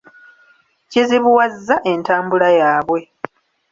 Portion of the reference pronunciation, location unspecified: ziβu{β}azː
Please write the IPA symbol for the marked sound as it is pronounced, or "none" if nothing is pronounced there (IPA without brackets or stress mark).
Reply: w